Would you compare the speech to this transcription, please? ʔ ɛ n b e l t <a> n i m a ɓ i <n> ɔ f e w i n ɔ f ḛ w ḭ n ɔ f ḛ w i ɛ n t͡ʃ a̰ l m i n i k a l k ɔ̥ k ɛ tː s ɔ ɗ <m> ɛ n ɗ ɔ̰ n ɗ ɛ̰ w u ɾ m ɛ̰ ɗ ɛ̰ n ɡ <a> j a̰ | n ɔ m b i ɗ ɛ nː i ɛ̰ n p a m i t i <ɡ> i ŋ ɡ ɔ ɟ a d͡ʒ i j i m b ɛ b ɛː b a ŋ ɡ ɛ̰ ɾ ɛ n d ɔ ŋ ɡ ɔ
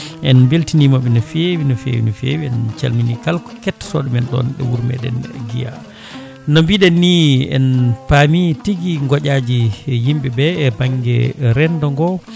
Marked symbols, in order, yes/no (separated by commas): no, yes, yes, no, yes